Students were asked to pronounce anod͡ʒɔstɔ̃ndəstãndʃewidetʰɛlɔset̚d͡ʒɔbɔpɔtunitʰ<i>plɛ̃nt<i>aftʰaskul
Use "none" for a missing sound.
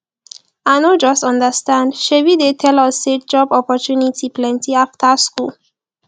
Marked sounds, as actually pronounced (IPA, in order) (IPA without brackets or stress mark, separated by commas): i, i